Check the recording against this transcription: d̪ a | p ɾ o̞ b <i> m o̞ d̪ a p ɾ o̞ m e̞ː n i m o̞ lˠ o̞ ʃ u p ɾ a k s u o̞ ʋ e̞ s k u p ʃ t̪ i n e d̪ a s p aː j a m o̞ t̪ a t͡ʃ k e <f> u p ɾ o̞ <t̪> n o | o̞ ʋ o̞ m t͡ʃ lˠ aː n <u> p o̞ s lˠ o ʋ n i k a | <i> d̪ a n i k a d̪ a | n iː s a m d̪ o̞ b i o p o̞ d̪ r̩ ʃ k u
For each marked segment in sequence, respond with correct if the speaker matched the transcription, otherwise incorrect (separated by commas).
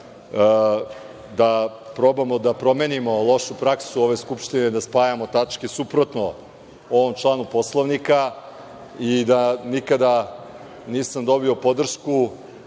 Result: incorrect, incorrect, correct, correct, correct